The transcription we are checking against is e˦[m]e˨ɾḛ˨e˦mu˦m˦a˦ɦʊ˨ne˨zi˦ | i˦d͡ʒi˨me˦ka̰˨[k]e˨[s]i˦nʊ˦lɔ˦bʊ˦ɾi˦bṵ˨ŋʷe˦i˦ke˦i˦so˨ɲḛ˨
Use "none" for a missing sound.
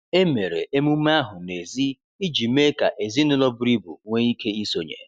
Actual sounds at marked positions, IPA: m, ʔ, z

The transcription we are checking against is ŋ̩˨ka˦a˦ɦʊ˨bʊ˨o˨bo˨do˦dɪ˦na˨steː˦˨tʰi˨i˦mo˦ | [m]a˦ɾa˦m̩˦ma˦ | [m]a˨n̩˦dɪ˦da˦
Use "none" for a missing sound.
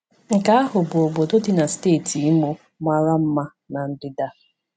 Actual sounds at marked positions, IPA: m, n

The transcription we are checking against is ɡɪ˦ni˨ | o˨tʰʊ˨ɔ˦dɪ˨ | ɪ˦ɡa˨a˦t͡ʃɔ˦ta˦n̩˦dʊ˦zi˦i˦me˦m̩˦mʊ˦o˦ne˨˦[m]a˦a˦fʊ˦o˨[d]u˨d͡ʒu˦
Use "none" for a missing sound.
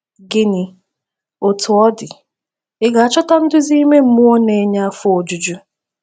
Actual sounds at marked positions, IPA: ɲ, d͡ʒ

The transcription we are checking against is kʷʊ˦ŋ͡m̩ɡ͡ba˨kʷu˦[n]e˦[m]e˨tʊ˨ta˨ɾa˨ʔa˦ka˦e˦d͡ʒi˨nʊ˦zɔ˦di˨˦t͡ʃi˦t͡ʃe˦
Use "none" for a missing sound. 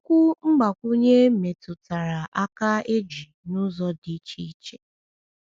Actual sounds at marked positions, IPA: ɲ, m

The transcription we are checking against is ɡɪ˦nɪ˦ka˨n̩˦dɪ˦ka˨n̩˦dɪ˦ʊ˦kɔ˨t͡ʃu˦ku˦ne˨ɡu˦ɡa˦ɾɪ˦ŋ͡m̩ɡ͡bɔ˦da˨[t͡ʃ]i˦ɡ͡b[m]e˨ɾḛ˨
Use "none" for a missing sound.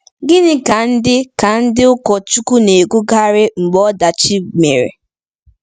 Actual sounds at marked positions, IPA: t͡ʃ, m

